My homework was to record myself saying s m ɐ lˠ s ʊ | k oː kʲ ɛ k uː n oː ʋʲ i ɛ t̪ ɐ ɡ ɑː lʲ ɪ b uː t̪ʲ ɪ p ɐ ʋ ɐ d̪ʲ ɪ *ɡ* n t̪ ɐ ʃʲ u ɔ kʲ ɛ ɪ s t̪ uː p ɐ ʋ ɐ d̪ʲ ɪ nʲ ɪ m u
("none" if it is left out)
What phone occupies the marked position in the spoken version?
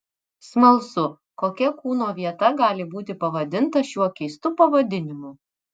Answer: none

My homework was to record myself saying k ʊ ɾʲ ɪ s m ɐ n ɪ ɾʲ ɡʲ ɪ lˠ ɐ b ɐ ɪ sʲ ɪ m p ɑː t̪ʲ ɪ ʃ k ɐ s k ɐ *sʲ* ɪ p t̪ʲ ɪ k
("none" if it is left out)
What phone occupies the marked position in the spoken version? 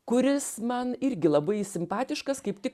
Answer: none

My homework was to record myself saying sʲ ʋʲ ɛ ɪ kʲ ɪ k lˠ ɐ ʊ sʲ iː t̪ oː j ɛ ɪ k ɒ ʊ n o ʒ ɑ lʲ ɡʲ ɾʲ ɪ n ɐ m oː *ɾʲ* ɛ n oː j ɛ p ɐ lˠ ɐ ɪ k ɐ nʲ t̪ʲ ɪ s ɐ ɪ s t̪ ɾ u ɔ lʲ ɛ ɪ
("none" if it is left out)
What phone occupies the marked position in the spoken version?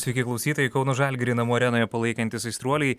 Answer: ɾʲ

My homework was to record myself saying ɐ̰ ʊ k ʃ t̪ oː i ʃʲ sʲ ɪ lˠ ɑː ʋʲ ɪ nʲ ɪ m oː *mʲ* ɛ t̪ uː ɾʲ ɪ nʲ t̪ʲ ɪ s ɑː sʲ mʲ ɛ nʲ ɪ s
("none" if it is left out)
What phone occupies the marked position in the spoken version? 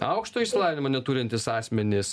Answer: nʲ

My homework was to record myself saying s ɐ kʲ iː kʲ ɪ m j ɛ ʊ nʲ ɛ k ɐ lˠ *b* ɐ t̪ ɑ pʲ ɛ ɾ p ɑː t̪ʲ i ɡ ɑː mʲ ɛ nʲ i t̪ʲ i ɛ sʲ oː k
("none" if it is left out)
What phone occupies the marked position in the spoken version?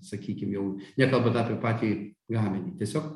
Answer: b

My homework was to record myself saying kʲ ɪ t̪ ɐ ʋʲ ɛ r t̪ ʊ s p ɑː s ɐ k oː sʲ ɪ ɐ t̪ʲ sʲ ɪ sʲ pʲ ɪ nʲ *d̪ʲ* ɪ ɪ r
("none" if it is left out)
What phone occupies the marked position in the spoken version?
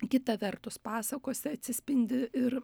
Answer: d̪ʲ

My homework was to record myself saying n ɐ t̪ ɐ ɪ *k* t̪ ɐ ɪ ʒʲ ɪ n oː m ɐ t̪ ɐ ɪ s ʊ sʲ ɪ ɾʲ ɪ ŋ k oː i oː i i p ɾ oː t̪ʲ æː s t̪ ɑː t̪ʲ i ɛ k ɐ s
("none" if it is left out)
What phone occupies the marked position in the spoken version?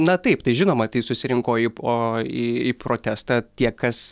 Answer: p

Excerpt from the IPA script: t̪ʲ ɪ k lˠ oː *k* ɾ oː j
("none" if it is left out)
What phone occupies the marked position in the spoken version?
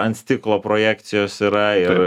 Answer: p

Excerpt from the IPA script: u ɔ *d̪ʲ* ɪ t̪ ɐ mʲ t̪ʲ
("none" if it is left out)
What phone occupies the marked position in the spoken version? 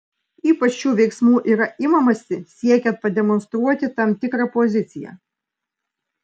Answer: t̪ʲ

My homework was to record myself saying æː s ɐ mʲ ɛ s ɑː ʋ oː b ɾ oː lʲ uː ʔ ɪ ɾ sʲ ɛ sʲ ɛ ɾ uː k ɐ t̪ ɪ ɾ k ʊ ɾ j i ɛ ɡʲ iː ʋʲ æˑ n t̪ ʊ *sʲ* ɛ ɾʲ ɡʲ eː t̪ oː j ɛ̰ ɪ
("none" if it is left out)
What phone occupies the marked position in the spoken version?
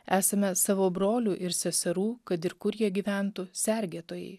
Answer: sʲ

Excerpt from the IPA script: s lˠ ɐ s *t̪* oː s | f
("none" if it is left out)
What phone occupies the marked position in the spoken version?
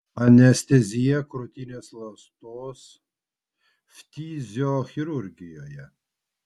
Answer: t̪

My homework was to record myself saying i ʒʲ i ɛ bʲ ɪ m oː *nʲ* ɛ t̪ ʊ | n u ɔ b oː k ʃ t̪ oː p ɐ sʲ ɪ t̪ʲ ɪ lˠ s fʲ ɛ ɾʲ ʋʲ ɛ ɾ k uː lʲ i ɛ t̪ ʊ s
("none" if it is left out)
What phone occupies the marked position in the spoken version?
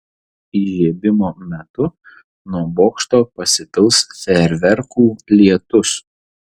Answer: mʲ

